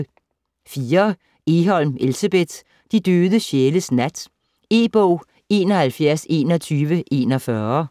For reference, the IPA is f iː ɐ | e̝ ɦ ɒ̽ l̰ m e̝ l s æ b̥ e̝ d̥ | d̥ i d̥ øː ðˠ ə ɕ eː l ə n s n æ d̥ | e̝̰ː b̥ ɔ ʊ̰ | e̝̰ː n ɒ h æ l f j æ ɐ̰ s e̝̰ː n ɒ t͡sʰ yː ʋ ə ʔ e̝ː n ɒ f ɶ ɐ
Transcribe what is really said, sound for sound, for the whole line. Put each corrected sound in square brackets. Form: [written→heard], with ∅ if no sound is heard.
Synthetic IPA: f iː ɐ | e̝ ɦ ɒ̽ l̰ m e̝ l s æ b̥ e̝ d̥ | d̥ i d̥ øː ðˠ ə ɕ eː l ə [n→∅] s n æ d̥ | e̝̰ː b̥ ɔ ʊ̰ | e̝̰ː n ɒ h æ l f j æ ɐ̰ s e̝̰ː n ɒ t͡sʰ yː ʋ ə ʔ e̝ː n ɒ f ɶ ɐ